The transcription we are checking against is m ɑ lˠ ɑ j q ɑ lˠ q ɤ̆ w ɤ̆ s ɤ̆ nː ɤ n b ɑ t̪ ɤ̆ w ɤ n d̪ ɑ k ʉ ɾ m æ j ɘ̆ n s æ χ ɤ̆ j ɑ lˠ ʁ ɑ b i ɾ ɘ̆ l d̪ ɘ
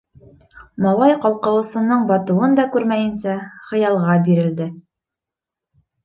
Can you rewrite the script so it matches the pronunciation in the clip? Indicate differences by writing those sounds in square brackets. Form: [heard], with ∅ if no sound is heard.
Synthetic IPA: m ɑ lˠ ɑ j q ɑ lˠ q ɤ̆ w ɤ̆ s ɤ̆ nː ɤ [ɴ] b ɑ t̪ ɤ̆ w ɤ n d̪ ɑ k ʉ ɾ m æ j ɘ̆ n s æ χ ɤ̆ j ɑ lˠ ʁ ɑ b i ɾ ɘ̆ l d̪ ɘ